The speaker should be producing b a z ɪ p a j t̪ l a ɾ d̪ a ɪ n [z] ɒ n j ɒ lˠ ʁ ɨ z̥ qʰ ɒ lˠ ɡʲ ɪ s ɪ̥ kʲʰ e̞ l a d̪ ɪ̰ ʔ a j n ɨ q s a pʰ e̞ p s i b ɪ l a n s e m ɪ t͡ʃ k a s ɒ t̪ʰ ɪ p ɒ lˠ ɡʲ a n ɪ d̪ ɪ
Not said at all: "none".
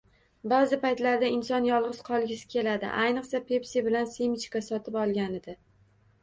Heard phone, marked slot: s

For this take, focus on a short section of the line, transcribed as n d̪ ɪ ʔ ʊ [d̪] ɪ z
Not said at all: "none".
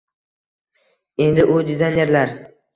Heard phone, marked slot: d̪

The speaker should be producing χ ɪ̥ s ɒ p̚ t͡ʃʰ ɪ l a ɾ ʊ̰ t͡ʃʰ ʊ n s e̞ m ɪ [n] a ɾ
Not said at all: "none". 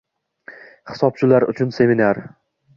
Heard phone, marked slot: n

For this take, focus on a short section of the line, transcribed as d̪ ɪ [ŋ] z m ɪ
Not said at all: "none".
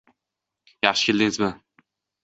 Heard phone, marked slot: ŋ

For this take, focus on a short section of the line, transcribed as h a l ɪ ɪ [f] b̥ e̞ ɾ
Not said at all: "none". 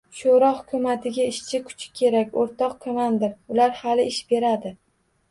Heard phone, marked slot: ʃ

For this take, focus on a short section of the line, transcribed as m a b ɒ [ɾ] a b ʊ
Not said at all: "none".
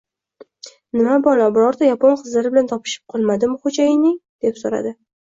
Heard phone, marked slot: l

